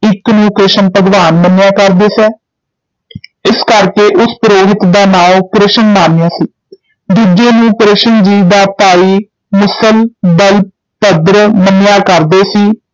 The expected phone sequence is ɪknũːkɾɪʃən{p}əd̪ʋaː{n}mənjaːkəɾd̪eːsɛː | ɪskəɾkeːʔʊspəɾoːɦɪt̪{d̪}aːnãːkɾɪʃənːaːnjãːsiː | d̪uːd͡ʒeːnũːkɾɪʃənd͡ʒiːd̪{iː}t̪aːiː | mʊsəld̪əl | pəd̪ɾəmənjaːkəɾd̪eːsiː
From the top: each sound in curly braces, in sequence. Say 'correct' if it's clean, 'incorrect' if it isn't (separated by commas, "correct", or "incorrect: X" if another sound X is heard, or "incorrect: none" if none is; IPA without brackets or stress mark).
correct, correct, correct, incorrect: aː